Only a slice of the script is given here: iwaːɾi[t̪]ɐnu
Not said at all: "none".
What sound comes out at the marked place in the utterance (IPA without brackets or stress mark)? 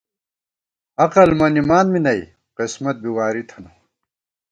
t̪ʰ